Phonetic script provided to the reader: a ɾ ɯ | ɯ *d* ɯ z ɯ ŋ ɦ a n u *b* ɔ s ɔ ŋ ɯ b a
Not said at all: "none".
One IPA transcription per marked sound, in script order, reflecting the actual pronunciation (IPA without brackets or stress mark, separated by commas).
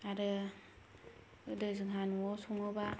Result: d, none